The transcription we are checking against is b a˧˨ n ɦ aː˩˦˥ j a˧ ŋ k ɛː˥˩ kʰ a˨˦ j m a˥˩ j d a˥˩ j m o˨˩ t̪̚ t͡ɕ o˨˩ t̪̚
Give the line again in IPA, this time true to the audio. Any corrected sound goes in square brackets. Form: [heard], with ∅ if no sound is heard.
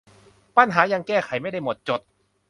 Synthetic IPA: [p] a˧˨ n ɦ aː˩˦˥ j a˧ ŋ k ɛː˥˩ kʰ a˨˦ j m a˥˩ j d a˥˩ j m o˨˩ t̪̚ t͡ɕ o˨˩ t̪̚